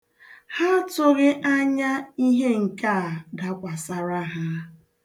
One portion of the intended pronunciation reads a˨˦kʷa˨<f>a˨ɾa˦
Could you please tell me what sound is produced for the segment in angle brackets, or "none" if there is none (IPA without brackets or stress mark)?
s